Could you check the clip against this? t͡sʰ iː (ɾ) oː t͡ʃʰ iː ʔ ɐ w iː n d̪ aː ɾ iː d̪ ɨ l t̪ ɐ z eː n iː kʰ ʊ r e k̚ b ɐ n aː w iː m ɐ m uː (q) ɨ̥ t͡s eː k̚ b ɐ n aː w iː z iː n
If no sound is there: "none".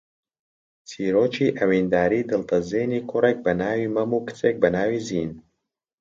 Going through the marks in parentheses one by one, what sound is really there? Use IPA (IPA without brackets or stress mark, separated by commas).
ɾ, k